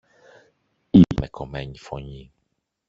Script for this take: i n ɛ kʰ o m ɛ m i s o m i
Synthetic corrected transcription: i m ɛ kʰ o m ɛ ɲ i f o ɲ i